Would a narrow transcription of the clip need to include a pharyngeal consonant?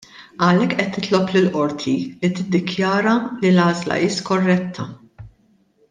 no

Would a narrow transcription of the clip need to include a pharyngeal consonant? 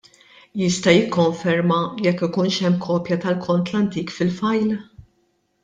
no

